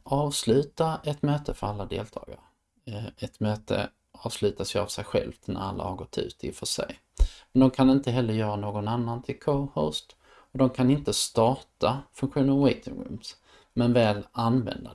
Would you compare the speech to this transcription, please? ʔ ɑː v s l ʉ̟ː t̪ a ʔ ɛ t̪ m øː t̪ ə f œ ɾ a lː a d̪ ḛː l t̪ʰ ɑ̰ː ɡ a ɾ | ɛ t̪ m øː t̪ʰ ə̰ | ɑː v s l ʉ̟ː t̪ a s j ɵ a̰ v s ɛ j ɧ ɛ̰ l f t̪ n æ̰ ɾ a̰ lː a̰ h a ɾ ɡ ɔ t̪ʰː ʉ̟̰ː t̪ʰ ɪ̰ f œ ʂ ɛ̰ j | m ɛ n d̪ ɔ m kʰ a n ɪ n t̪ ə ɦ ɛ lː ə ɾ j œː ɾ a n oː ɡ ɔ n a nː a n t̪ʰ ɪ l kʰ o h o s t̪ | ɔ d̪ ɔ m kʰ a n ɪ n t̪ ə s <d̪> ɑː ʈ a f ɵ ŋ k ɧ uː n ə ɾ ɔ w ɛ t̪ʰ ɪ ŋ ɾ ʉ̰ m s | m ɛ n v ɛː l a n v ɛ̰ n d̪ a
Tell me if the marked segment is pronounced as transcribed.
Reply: no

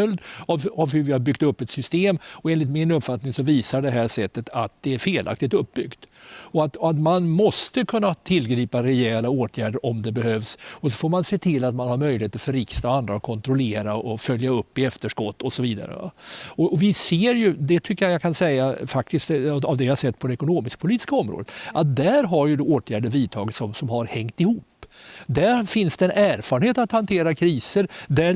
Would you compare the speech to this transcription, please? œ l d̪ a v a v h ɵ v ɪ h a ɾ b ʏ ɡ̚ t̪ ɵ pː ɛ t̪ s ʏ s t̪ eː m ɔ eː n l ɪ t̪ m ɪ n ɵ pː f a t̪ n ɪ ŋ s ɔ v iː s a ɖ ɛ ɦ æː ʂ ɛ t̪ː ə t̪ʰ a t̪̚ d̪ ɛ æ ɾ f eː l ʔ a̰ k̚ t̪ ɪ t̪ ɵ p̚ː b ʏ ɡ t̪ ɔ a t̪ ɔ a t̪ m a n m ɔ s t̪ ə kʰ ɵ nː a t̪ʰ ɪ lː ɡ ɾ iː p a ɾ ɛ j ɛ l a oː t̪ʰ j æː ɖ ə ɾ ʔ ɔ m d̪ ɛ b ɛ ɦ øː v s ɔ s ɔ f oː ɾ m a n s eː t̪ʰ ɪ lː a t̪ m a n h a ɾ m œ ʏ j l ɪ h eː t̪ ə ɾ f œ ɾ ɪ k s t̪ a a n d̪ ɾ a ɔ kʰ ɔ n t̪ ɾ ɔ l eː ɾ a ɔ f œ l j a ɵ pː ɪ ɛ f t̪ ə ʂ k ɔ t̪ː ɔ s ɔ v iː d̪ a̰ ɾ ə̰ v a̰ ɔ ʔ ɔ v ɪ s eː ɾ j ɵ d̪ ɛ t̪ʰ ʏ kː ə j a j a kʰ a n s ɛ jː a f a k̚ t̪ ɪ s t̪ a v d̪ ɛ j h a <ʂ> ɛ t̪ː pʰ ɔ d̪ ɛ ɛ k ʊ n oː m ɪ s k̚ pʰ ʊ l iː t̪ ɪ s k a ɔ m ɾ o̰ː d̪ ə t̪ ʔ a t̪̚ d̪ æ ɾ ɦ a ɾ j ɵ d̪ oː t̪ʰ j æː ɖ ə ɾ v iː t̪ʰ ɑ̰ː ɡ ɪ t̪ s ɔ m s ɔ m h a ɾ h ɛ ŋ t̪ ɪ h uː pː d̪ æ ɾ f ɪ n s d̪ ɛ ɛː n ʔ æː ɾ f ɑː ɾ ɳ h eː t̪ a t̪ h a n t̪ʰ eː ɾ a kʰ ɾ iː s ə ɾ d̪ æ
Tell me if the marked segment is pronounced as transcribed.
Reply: no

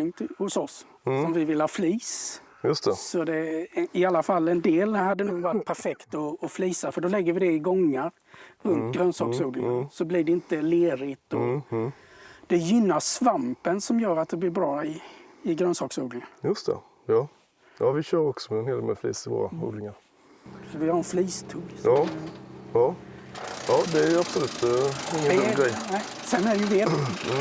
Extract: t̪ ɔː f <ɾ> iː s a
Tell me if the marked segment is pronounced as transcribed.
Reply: no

